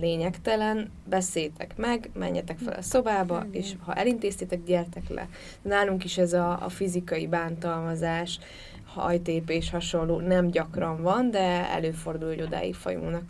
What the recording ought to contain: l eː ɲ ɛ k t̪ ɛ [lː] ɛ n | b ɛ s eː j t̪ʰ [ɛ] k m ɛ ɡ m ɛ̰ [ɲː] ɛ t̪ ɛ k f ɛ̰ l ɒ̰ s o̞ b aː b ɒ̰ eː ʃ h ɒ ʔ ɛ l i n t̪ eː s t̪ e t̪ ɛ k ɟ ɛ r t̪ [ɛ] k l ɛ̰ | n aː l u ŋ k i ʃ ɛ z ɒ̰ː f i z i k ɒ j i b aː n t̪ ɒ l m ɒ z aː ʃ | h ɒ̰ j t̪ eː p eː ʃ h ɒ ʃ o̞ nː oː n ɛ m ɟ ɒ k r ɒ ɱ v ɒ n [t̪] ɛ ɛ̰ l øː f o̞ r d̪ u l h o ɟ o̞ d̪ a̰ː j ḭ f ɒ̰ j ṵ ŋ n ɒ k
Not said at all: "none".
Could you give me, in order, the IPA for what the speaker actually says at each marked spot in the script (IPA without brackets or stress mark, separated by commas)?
l, ɛ, ɲː, ɛ, d̪